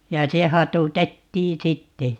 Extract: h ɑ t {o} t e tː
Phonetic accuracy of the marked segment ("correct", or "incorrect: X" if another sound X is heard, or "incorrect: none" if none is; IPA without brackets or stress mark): incorrect: u